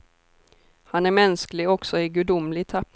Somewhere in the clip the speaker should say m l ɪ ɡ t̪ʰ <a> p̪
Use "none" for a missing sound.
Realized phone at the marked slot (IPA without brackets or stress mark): a